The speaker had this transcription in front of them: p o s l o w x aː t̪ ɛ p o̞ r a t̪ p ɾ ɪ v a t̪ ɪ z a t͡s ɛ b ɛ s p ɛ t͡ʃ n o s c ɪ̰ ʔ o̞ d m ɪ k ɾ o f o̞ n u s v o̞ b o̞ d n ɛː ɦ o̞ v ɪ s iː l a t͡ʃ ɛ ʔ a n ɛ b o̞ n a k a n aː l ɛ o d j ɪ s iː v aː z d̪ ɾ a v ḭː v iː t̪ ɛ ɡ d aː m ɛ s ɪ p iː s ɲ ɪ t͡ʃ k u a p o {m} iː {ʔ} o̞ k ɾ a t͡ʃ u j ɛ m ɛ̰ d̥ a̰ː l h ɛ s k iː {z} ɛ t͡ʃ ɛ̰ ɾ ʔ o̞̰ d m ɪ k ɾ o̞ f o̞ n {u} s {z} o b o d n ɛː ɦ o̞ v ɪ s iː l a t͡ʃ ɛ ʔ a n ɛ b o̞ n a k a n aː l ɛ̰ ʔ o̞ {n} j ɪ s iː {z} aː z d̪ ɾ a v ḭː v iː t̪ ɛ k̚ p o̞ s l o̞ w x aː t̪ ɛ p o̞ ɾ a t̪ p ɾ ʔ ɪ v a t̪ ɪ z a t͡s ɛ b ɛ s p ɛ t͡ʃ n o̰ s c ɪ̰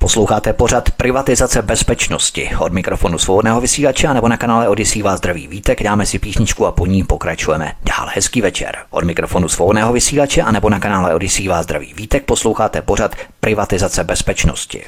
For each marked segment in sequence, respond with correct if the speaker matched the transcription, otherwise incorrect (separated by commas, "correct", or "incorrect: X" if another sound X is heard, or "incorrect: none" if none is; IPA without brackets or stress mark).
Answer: incorrect: ɲ, incorrect: p, incorrect: v, correct, incorrect: v, incorrect: d, incorrect: v